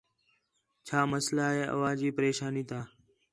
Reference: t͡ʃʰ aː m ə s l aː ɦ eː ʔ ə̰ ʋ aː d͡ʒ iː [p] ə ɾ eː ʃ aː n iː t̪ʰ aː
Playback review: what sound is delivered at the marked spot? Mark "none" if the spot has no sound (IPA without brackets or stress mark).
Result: p